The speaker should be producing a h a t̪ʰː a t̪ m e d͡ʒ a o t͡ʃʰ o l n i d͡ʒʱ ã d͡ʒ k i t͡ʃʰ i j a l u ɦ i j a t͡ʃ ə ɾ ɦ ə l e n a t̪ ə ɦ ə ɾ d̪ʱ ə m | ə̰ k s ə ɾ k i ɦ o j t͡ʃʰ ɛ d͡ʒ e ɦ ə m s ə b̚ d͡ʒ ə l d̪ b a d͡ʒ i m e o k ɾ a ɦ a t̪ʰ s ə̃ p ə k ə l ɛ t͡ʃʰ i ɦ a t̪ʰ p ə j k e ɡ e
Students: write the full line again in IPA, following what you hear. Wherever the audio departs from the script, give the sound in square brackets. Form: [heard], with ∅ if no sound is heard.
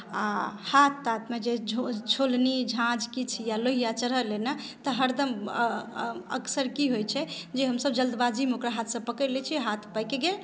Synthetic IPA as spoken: a h a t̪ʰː a t̪ m e d͡ʒ [e] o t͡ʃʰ o l n i d͡ʒʱ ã d͡ʒ k i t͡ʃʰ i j a l [o] ɦ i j a t͡ʃ ə ɾ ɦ ə l e n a t̪ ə ɦ ə ɾ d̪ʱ ə m | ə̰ k s ə ɾ k i ɦ o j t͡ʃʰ ɛ d͡ʒ e ɦ ə m s ə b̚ d͡ʒ ə l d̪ b a d͡ʒ i m e o k ɾ a ɦ a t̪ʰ s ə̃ p ə k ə l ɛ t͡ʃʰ i ɦ a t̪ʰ p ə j k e ɡ e